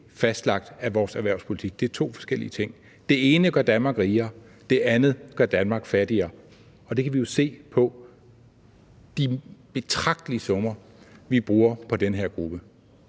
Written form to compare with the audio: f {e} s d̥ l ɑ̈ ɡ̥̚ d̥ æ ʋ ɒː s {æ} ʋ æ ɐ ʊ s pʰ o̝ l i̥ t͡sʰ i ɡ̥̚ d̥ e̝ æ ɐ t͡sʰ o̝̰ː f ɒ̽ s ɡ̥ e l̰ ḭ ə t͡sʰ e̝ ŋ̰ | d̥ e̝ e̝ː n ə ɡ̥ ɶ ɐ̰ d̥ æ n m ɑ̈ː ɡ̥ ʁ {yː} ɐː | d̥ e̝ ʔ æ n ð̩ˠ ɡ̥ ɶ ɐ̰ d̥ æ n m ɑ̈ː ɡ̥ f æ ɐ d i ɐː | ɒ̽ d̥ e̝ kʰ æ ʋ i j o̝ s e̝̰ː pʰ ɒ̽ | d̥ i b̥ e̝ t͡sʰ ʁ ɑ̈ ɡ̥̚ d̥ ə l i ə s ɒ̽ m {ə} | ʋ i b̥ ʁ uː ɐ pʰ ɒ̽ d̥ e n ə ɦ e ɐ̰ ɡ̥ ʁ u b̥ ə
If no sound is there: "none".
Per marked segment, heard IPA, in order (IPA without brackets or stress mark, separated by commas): æ, æ, iː, ɐ